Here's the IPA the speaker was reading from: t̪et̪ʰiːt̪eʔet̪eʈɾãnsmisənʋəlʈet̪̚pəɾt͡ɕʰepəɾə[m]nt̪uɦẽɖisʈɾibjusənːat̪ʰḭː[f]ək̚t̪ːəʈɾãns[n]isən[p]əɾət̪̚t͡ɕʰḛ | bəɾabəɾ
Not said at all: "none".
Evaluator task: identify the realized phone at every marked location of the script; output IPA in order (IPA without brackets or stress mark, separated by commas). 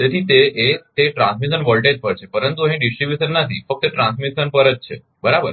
none, f, m, p